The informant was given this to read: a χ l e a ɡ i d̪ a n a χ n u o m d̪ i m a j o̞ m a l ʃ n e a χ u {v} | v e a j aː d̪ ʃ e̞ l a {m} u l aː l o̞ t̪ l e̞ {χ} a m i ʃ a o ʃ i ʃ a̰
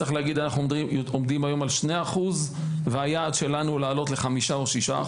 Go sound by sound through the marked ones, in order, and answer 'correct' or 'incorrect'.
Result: incorrect: z, incorrect: n, correct

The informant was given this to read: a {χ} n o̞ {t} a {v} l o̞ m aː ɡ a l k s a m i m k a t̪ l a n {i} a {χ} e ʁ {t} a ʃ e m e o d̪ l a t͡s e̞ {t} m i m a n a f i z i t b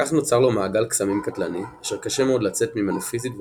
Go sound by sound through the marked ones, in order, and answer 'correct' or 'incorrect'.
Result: correct, incorrect: t͡s, incorrect: ʁ, correct, incorrect: ʃ, incorrect: k, correct

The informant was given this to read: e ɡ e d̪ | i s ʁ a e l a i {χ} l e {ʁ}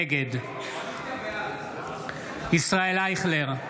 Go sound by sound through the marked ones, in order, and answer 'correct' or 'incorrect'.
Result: correct, correct

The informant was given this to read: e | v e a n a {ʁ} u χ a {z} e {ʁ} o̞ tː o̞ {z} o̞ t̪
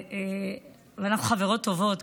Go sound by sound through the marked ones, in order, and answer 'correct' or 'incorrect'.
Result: incorrect: χ, incorrect: v, correct, incorrect: v

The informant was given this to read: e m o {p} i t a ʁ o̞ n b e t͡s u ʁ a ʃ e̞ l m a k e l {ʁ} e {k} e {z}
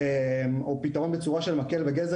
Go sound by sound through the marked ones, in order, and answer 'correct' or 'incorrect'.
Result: correct, incorrect: v, incorrect: ɡ, correct

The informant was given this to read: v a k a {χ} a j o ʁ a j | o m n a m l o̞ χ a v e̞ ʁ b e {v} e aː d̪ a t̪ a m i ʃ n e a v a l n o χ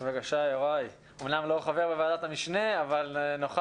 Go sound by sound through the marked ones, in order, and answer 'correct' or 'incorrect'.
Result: incorrect: ʃ, correct

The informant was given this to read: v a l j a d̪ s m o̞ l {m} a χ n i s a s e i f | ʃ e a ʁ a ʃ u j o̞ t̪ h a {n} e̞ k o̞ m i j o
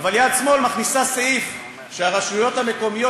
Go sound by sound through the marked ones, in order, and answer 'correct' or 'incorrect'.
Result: correct, incorrect: m

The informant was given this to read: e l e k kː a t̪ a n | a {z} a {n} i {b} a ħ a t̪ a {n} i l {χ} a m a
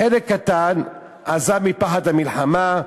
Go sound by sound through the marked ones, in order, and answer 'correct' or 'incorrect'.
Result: correct, incorrect: m, incorrect: p, incorrect: m, incorrect: ħ

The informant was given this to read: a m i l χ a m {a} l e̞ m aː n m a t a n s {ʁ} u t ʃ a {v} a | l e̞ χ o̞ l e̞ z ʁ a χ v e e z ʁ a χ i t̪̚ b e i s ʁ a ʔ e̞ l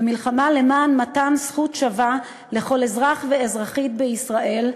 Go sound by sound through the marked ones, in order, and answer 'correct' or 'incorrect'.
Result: correct, incorrect: χ, correct

